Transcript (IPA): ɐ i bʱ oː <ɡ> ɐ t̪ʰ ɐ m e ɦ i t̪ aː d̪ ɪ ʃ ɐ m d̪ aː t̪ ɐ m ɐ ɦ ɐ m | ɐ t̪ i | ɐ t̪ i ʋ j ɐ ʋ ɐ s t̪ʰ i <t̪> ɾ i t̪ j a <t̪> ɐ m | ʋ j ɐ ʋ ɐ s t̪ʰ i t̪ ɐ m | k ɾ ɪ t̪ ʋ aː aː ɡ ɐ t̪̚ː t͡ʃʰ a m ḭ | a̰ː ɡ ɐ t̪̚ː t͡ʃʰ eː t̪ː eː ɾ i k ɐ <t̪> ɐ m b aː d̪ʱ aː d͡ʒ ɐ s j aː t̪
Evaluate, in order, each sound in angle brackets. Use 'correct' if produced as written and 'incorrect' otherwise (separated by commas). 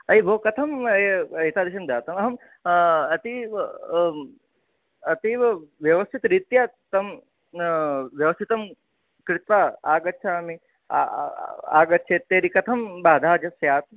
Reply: incorrect, correct, correct, incorrect